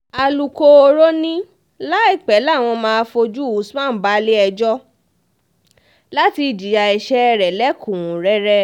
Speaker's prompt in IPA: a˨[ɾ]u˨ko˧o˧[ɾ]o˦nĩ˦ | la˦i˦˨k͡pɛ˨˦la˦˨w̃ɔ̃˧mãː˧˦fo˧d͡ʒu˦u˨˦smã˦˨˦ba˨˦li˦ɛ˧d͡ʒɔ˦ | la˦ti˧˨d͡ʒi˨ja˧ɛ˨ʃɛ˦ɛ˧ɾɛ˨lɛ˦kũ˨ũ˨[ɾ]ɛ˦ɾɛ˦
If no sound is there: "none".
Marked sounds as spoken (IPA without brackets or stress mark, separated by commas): l, ɾ, ɾ